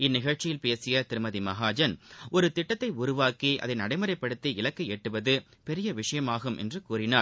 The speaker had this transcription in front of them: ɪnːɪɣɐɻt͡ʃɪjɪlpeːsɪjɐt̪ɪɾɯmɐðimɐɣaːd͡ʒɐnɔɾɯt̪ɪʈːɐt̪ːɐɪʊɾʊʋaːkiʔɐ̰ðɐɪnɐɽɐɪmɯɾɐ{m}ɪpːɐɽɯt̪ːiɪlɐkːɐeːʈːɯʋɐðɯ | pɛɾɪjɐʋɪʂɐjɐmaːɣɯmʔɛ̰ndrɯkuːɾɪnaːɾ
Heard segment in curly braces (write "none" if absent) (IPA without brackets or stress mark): none